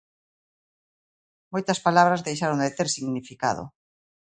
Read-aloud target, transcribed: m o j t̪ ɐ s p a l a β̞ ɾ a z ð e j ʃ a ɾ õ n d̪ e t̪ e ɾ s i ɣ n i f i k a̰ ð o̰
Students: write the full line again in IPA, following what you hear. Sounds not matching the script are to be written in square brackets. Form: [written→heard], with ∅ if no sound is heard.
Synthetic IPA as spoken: m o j t̪ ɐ s p a l a β̞ ɾ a z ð e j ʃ a ɾ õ n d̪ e t̪ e ɾ s i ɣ n i f i k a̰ ð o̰